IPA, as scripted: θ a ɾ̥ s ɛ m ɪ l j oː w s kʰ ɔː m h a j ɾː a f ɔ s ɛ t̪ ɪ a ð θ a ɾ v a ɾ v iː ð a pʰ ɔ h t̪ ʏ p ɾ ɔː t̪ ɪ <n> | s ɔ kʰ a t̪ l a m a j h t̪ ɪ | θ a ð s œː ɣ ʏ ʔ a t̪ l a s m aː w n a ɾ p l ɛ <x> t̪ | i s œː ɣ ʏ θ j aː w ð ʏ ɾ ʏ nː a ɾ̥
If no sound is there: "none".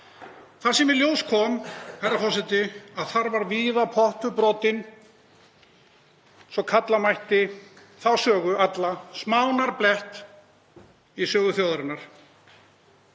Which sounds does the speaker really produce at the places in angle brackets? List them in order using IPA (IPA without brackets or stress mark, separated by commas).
n, h